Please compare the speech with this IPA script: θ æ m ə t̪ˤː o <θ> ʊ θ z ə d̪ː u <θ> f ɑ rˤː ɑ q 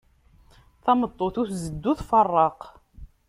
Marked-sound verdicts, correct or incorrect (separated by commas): correct, correct